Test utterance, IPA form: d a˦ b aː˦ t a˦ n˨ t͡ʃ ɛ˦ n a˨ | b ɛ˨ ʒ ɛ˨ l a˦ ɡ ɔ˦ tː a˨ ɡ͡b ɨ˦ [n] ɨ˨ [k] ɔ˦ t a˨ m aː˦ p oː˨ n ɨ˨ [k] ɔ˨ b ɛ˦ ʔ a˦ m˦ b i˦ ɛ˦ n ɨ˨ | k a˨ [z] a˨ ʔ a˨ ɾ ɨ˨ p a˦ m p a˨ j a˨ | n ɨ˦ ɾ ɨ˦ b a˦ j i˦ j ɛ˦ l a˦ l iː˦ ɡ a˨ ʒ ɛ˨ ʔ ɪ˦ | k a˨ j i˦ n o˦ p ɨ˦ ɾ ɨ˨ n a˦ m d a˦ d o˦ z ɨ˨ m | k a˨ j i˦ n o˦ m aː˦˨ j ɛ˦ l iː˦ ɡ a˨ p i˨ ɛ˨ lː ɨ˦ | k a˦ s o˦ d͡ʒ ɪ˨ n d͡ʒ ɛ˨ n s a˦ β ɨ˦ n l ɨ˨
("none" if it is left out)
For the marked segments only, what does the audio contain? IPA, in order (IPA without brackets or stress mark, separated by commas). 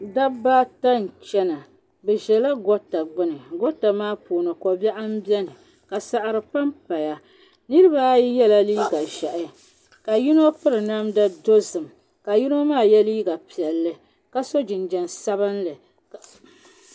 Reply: n, ɡ, k, s